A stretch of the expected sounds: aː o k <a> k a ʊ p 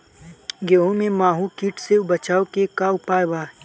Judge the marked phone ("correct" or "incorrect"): incorrect